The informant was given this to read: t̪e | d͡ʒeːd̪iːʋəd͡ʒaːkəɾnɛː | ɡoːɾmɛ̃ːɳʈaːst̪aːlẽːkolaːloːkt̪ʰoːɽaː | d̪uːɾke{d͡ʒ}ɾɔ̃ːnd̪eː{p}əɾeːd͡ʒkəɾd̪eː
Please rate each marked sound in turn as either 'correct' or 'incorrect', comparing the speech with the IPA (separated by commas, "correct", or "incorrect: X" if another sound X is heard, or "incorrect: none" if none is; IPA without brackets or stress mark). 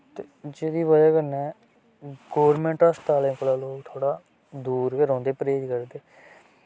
incorrect: none, correct